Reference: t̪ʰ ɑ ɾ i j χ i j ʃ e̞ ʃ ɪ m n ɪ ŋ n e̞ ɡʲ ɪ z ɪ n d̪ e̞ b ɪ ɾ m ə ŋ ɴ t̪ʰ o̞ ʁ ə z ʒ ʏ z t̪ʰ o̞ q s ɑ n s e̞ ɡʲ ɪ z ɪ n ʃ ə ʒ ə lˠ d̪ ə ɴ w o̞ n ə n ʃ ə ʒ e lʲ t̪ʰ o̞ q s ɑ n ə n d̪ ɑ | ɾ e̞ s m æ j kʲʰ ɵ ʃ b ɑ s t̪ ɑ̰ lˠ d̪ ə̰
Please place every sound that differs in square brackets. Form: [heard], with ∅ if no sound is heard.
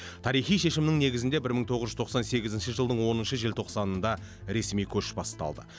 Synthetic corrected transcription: t̪ʰ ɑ ɾ i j χ i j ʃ e̞ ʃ ɪ m n ɪ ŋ n e̞ ɡʲ ɪ z ɪ n d̪ e̞ b ɪ ɾ m ə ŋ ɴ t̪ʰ o̞ ʁ ə z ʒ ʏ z t̪ʰ o̞ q s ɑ n s e̞ ɡʲ ɪ z ɪ n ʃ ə ʒ ə lˠ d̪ ə ɴ w o̞ n ə n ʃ ə ʒ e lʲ t̪ʰ o̞ q s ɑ n ə n d̪ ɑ | ɾ e̞ s m [i] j kʲʰ ɵ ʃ b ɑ s t̪ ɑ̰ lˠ d̪ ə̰